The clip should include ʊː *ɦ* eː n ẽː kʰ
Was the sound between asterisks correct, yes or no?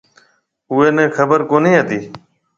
no